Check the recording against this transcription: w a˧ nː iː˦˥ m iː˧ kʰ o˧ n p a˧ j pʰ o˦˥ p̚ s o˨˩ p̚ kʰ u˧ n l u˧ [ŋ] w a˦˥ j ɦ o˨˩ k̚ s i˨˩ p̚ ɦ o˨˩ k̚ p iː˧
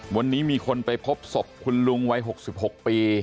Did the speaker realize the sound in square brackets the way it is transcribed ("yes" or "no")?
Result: yes